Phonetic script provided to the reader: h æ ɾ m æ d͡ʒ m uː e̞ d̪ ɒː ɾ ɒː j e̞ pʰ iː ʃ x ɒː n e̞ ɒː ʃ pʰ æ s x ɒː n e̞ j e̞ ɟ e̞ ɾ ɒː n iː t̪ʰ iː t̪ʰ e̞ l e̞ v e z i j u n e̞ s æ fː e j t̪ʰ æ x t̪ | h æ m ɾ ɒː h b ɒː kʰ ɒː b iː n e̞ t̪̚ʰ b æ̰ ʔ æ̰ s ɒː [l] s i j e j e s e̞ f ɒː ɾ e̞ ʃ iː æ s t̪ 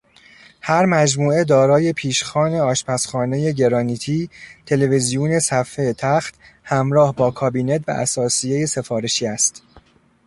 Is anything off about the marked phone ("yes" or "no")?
yes